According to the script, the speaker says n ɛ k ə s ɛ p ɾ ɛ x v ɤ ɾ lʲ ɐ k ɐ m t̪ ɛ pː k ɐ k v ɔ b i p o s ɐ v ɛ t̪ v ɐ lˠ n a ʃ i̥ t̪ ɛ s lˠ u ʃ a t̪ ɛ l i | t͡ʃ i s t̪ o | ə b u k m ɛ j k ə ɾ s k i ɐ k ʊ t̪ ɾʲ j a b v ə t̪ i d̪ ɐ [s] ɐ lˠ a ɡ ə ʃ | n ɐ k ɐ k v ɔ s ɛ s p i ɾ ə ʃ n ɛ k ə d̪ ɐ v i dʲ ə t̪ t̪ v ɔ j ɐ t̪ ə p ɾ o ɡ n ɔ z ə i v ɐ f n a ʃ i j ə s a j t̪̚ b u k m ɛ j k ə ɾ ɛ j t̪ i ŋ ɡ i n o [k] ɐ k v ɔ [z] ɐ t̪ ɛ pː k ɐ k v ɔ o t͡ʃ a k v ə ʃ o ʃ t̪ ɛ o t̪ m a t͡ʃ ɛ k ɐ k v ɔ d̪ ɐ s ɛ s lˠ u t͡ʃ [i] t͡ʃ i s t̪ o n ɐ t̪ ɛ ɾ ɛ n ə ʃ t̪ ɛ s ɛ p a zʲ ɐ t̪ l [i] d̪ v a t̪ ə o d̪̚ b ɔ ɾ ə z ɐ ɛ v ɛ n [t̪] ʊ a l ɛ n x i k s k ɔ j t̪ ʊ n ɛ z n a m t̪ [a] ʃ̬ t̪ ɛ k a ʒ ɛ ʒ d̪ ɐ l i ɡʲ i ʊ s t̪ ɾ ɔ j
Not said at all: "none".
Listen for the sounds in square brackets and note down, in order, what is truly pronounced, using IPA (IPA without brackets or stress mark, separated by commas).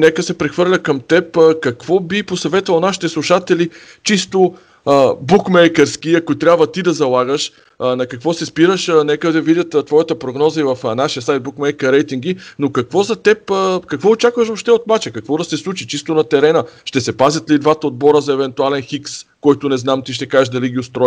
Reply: z, k, z, i, i, t̪, i